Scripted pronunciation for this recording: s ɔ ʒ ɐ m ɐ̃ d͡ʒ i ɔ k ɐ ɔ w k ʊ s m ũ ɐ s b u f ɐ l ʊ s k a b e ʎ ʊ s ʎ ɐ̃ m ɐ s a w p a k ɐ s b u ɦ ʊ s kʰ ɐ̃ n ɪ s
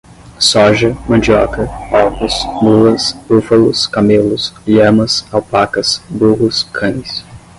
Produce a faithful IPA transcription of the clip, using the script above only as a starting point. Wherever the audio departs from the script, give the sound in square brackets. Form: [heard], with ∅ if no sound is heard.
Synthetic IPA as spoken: s ɔ ʒ ɐ m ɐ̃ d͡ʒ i ɔ k ɐ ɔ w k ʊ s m [u] ɐ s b u f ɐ l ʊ s k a [m] e [l] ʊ s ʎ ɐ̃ m ɐ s a w p a k ɐ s b u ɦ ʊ s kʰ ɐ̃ n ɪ s